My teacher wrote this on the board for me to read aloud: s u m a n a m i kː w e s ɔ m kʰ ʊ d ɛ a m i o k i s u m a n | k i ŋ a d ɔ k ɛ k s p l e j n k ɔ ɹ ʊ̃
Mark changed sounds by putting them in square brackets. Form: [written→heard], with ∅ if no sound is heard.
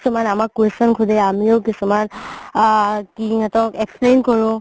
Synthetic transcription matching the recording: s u m a n a m [i→a] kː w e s ɔ [m→n] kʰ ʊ d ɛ a m i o k i s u m a n | k i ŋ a [d→t] ɔ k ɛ k s p l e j n k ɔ ɹ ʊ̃